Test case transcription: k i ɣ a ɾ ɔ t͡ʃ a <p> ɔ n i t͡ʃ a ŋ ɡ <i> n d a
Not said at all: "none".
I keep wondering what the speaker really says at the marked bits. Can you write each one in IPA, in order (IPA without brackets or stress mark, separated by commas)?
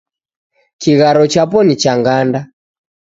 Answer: p, a